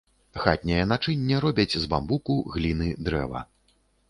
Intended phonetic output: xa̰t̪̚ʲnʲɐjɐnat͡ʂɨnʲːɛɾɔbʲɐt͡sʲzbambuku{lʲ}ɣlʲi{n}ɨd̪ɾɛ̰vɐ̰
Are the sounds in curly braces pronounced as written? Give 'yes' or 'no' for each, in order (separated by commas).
no, yes